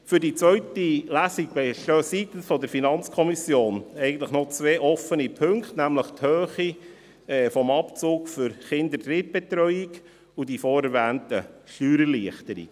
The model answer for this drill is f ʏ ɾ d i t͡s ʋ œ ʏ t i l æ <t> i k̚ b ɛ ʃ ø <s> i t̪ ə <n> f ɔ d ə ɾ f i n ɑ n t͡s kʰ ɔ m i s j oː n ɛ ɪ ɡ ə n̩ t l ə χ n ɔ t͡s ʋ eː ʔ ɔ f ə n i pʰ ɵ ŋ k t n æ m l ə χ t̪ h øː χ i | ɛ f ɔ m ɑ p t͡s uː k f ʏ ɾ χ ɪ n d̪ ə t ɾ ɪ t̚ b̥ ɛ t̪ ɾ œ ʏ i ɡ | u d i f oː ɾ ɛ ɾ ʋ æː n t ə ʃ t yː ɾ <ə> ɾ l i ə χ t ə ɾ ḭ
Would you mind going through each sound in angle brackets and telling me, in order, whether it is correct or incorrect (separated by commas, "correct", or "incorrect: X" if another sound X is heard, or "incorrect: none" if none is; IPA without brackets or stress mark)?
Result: incorrect: s, correct, correct, correct